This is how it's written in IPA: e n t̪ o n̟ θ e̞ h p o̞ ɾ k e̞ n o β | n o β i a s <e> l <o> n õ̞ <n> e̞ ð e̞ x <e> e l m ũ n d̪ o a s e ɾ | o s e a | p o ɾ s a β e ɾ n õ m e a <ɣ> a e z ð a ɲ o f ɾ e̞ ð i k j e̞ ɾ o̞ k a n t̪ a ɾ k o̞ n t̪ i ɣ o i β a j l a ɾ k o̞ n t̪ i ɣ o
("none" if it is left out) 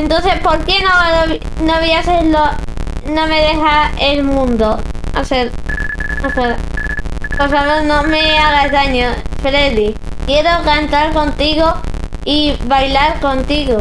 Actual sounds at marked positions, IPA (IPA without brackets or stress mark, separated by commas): e, o, m, a, ɣ